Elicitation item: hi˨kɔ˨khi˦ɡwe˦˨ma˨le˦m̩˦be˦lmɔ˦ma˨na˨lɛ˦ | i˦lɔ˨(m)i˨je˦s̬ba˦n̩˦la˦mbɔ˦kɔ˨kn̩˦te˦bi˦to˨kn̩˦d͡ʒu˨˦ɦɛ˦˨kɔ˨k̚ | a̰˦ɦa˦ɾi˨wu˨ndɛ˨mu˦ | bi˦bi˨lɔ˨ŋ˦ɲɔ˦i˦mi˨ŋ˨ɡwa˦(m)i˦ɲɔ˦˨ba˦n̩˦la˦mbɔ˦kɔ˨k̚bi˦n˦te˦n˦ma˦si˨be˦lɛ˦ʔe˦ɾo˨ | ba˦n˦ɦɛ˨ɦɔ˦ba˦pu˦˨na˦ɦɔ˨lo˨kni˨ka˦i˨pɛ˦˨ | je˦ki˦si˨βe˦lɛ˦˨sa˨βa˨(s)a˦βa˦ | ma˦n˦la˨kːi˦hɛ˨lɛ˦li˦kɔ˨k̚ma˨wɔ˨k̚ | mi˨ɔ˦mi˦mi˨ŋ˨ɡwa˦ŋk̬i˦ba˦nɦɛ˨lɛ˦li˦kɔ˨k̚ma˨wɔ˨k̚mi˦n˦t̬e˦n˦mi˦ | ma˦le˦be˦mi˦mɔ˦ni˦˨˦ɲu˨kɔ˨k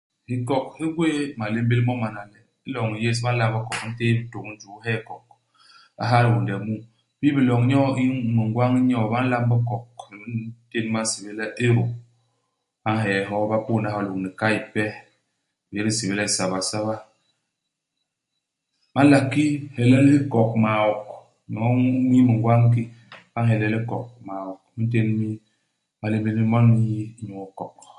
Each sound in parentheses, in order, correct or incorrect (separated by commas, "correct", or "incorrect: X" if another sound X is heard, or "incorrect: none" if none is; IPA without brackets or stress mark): incorrect: ŋ, incorrect: ŋ, correct